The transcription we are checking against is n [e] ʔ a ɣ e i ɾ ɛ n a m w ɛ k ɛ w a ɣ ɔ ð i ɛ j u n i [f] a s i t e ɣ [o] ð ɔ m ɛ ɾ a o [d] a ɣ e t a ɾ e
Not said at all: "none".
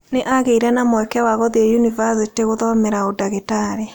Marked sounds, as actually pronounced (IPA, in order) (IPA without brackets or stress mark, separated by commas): e, v, o, d